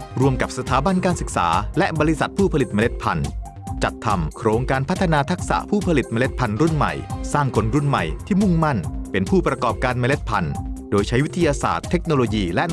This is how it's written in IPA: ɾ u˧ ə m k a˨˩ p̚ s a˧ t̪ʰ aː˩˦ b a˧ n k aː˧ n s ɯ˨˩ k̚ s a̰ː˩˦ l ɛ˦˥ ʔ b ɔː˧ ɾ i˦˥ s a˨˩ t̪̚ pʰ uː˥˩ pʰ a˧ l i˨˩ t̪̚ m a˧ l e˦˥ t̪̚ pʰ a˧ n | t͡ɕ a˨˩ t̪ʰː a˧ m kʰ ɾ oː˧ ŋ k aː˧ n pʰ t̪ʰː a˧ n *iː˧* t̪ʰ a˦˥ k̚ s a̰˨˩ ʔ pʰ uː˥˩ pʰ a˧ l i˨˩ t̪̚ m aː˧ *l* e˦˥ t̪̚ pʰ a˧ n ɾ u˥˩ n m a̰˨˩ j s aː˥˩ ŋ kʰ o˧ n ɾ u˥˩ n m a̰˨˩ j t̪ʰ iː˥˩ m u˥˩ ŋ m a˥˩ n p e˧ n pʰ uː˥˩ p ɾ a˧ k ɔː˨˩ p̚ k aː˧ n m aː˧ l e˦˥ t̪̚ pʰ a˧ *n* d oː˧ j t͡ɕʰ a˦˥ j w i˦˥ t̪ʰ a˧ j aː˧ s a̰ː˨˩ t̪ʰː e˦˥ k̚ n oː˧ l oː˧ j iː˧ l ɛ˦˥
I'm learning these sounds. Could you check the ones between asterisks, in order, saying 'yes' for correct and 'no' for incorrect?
no, yes, yes

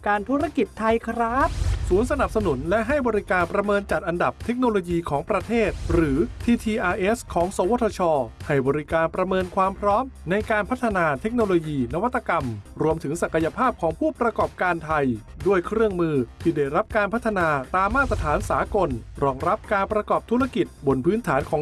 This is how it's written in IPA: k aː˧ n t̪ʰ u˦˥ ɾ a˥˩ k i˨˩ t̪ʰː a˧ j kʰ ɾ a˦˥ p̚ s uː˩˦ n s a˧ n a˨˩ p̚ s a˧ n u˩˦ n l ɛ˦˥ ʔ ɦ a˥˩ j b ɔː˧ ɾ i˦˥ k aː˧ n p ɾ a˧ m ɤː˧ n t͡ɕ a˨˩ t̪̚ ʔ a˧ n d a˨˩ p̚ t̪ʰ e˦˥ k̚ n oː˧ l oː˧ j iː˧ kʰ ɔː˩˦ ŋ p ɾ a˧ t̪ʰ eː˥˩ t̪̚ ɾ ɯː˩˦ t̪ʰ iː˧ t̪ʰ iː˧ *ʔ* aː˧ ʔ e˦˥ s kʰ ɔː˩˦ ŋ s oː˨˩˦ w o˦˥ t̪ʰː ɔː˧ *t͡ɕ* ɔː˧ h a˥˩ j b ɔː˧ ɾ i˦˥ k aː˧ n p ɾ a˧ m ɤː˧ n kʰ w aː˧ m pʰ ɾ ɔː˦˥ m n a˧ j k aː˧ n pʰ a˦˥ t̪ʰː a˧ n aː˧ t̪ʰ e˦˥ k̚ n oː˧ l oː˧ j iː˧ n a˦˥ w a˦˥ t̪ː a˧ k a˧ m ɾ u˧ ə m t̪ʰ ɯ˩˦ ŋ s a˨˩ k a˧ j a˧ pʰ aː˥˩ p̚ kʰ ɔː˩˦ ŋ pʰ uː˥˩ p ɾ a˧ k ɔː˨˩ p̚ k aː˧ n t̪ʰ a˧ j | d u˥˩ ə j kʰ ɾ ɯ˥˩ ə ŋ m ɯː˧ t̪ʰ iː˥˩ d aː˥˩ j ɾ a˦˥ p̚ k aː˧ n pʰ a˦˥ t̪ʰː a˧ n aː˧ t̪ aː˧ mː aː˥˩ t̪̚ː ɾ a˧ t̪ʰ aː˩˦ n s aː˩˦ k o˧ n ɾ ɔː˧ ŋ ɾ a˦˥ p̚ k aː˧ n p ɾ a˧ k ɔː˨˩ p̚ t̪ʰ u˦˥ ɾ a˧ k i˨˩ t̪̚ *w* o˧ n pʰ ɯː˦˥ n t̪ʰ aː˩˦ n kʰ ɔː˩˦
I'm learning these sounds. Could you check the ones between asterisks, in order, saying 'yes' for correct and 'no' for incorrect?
yes, no, no

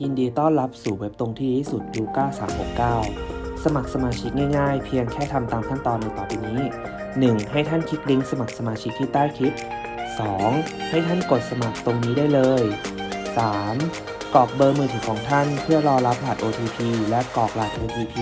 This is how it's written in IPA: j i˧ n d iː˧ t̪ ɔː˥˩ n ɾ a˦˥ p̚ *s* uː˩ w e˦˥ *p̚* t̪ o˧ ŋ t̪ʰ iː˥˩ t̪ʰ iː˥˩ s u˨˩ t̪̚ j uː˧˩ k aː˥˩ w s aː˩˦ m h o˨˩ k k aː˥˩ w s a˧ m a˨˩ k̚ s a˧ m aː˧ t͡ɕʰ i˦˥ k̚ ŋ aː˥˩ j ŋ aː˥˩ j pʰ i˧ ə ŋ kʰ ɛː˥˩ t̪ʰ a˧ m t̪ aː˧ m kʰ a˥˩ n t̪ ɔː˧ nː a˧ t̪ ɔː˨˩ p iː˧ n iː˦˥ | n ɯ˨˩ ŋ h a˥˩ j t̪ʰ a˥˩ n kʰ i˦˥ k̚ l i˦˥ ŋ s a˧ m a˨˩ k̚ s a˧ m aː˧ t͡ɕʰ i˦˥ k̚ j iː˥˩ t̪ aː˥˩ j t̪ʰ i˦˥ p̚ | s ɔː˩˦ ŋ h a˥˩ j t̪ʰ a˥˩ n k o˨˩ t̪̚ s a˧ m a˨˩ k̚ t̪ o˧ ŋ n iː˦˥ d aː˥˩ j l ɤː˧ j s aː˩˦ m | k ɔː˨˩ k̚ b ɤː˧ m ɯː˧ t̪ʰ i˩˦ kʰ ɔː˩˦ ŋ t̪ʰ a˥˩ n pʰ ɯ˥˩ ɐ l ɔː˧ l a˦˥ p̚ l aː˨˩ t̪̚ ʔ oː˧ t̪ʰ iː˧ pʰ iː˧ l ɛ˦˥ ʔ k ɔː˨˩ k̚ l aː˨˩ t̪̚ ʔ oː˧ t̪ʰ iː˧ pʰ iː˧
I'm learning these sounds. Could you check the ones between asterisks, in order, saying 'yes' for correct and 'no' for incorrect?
yes, yes

